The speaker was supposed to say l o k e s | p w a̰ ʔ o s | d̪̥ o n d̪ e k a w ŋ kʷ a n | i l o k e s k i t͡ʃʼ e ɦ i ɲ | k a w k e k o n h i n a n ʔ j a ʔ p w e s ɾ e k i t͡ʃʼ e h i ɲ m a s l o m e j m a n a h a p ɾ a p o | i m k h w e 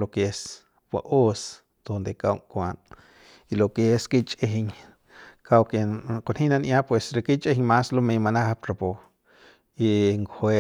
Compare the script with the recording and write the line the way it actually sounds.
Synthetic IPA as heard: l o k e s | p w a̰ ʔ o s | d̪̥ o n d̪ e k a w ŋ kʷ a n | i l o k e s k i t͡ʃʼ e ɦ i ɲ | k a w k e k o n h i n a n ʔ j a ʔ p w e s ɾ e k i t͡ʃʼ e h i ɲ m a s l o m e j m a n a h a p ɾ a p o | i ŋ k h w e